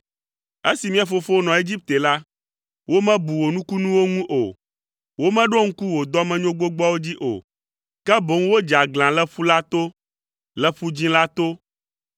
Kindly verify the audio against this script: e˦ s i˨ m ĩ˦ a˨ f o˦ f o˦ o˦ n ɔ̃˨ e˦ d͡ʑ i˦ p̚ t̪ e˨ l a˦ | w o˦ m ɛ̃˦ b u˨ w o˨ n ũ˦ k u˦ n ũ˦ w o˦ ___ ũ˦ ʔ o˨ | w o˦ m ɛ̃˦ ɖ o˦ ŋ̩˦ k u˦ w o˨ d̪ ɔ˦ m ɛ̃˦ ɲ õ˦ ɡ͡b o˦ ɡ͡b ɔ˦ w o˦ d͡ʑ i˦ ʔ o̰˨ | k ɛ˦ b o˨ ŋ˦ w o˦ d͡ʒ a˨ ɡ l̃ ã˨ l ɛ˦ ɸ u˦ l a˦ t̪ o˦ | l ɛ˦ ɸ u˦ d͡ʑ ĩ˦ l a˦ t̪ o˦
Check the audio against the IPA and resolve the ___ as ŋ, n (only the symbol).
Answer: ŋ